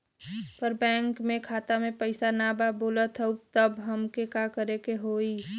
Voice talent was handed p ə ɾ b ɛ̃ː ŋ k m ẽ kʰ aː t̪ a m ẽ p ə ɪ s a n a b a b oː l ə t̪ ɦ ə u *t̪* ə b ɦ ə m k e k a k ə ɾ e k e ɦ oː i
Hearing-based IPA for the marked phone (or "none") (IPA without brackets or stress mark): t̪